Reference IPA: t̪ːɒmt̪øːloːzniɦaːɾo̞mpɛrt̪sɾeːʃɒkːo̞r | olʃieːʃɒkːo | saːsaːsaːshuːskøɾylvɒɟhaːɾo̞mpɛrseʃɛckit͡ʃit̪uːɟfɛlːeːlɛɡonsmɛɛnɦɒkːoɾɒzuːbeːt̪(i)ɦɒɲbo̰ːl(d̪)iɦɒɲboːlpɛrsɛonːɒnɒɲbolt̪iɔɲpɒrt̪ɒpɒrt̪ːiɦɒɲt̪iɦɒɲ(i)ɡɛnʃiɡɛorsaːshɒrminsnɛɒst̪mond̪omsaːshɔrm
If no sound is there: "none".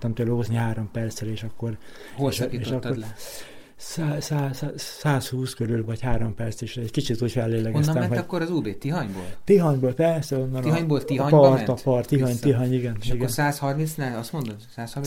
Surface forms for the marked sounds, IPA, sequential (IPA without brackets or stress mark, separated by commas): i, t̪, i